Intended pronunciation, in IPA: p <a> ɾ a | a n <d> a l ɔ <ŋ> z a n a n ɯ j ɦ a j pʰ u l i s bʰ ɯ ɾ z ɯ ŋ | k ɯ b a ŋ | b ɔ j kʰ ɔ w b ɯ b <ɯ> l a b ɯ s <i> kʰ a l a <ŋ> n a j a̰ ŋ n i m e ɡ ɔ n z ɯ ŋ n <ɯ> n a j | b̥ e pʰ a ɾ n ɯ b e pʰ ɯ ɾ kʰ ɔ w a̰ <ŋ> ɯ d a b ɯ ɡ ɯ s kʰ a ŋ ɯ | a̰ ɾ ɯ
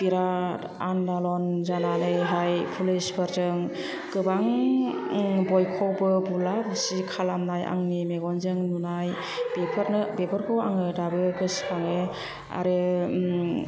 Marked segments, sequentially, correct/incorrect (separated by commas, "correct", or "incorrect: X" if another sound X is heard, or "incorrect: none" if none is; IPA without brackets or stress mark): incorrect: i, correct, incorrect: n, incorrect: u, correct, incorrect: m, incorrect: u, correct